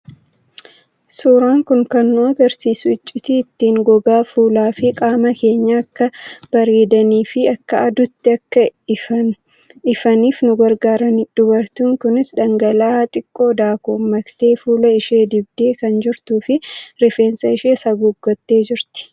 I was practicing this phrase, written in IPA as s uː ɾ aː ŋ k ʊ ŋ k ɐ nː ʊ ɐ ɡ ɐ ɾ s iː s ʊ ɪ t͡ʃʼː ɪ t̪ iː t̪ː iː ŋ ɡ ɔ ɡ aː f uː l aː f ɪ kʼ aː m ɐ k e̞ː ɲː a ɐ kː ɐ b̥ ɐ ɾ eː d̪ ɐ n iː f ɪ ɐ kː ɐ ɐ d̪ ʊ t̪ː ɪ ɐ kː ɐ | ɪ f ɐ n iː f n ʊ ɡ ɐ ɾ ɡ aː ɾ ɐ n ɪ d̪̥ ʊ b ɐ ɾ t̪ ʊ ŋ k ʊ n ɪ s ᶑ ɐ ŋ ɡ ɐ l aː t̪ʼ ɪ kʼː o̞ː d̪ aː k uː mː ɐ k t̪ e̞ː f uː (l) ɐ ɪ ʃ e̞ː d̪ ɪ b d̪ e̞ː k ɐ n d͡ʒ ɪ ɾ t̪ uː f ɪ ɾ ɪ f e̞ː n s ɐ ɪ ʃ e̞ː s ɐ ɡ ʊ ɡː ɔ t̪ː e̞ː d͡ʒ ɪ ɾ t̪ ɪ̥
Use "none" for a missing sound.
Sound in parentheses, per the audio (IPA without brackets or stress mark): l